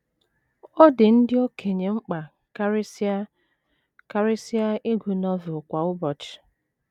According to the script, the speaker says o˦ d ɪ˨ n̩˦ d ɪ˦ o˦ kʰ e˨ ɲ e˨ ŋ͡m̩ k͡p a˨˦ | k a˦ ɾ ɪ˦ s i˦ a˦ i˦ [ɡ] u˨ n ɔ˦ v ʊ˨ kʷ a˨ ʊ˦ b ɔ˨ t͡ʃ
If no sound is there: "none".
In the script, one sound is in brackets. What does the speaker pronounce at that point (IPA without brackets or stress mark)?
ɡ